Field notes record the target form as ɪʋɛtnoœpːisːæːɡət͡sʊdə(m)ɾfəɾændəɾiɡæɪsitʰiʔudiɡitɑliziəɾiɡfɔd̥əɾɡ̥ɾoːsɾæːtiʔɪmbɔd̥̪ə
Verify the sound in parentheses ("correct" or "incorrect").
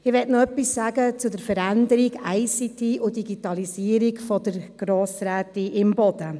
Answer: incorrect